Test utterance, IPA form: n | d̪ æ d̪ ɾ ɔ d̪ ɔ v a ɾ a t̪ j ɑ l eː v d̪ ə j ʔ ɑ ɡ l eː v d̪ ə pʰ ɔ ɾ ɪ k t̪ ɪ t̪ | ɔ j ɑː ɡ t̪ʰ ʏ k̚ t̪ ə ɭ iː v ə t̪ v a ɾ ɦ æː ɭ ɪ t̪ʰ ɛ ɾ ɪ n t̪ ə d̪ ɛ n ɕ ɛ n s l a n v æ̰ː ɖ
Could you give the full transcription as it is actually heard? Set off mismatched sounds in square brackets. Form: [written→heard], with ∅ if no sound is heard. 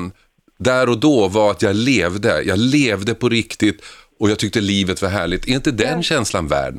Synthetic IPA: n | d̪ æ [d̪→∅] ɾ ɔ d̪ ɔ v a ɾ a t̪ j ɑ l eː v d̪ ə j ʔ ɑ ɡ l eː v d̪ ə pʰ ɔ ɾ ɪ k t̪ ɪ t̪ | ɔ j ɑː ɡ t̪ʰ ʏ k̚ t̪ ə [ɭ→l] iː v ə t̪ v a ɾ ɦ æː ɭ ɪ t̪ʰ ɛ ɾ ɪ n t̪ ə d̪ ɛ n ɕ ɛ n s l a n v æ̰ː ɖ